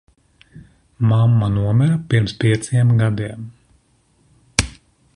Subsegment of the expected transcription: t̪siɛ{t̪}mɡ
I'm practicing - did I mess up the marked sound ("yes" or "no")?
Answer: yes